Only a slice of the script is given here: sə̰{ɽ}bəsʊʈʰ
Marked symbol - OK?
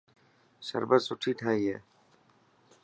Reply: no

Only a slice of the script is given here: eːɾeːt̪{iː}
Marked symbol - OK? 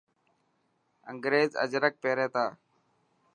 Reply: no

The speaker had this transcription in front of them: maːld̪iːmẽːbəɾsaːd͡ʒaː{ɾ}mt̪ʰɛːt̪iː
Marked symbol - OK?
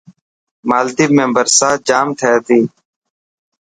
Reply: no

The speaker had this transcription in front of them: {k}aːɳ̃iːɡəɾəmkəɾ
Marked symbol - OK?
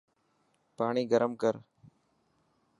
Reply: no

